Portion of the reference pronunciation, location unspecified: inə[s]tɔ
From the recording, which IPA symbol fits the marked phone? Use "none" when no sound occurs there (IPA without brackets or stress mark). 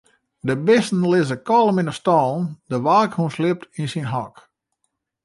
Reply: s